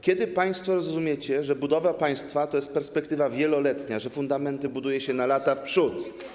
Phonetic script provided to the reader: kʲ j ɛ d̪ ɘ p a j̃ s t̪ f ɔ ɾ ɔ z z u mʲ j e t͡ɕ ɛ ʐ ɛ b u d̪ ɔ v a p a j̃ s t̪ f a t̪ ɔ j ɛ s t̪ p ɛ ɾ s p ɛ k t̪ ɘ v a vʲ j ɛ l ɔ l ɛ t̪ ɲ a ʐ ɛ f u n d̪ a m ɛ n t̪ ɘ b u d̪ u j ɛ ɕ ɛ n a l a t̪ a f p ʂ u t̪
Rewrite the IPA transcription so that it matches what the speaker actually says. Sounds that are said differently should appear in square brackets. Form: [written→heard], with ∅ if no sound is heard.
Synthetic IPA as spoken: kʲ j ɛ d̪ ɘ p a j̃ s t̪ f ɔ ɾ ɔ z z u mʲ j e t͡ɕ ɛ ʐ ɛ b u d̪ ɔ v a p a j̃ s t̪ f a t̪ ɔ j ɛ s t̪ p ɛ ɾ s p ɛ k t̪ ɘ v a vʲ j ɛ l ɔ l ɛ t̪ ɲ a ʐ ɛ f u n d̪ a m ɛ n t̪ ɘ b u d̪ u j ɛ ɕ ɛ n a l a t̪ a f p ʂ u t̪